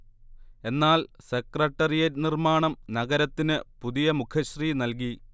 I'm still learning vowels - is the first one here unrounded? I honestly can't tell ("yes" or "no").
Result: yes